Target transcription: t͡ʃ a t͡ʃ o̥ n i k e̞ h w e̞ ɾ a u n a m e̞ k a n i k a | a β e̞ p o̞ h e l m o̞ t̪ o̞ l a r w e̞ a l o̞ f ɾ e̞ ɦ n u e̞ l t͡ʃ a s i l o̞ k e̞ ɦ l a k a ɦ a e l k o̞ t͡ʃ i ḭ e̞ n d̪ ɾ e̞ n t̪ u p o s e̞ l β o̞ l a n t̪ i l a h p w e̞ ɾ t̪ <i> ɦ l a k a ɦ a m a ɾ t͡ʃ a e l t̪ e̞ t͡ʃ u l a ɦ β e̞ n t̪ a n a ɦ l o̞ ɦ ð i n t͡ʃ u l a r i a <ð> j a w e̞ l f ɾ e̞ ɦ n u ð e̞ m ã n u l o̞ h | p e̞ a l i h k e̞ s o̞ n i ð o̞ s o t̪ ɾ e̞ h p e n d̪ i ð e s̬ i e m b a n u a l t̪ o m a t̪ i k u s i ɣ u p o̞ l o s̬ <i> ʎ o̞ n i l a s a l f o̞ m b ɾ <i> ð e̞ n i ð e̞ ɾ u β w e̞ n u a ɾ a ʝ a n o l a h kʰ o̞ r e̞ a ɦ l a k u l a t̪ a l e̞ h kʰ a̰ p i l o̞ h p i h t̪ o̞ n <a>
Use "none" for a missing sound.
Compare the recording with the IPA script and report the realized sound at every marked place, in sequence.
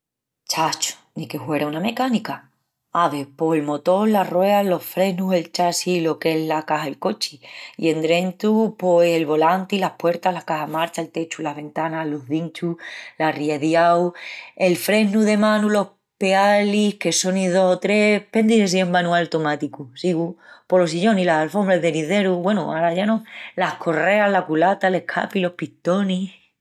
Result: a, ð, i, a, i

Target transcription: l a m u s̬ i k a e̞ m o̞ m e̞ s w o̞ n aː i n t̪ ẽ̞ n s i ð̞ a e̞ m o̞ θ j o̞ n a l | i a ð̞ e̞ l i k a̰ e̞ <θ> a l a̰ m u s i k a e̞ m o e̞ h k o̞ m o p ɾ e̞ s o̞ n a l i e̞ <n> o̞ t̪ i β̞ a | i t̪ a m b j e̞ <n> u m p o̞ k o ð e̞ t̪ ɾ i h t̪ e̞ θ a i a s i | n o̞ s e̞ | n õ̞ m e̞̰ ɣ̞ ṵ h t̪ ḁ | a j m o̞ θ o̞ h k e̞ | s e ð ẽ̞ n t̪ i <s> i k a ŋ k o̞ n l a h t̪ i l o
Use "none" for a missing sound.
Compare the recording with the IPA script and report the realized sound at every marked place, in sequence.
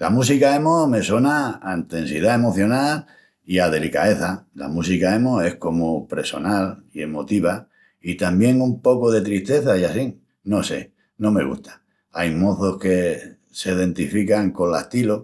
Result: θ, m, ŋ, f

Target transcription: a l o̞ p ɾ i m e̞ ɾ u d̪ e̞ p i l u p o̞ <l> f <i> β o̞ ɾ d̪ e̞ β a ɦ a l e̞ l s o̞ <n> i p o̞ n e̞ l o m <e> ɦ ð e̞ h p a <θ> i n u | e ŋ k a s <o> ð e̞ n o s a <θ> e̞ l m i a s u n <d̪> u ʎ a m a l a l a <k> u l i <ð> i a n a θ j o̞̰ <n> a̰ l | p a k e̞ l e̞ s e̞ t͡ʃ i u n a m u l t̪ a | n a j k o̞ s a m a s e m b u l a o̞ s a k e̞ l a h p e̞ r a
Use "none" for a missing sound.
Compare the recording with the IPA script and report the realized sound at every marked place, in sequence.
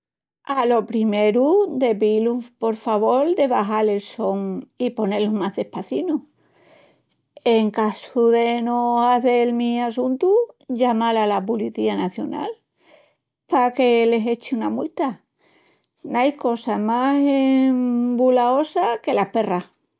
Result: ɾ, a, ŋ, a, θ, u, θ, t̪, p, θ, n

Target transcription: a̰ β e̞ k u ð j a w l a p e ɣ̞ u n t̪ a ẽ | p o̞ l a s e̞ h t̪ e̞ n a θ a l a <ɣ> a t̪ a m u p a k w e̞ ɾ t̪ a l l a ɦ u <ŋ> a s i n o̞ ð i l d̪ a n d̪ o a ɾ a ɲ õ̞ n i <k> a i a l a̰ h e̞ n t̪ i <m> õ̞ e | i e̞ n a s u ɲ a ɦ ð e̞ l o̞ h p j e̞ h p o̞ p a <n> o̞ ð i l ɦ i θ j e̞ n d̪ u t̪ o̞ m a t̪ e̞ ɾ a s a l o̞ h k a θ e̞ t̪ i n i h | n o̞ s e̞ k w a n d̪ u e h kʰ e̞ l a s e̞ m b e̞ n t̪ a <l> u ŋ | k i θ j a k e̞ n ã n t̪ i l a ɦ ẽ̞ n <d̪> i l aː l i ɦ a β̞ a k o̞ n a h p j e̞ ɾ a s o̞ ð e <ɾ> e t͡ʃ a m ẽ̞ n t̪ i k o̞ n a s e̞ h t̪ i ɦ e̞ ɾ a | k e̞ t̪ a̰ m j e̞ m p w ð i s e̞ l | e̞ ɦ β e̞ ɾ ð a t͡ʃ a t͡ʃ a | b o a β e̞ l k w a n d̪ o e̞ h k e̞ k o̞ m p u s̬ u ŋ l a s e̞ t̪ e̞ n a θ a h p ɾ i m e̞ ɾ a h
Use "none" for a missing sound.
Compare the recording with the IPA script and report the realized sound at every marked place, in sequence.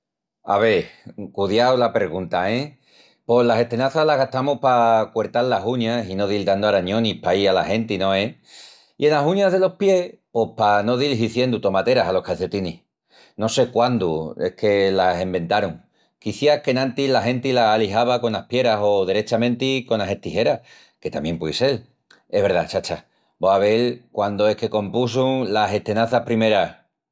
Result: ɣ, ɲ, p, n, n, ɾ, t̪, ɾ

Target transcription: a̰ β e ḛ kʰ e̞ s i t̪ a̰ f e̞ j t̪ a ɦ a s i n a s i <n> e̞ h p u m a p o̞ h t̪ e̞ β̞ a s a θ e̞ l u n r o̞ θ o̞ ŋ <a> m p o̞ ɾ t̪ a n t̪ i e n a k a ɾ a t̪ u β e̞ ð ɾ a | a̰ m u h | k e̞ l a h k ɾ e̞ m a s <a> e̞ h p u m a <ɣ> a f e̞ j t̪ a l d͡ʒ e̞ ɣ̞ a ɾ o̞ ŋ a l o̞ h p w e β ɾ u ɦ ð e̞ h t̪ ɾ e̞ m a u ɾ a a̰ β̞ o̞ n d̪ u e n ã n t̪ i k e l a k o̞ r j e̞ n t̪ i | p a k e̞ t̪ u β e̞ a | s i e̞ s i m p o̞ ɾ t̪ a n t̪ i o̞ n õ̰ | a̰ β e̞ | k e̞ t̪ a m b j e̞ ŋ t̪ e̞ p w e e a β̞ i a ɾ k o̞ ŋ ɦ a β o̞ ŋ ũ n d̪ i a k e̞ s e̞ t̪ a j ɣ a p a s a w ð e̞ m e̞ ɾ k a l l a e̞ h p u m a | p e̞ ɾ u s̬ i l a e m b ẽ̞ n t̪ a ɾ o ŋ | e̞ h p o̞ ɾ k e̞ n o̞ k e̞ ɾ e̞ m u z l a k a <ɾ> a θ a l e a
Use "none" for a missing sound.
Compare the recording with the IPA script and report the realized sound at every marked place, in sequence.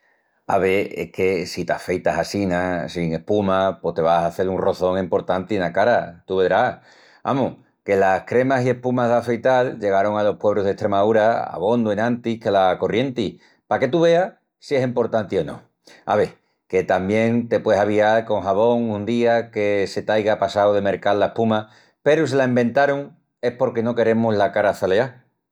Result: ŋ, e, i, ð, ɾ

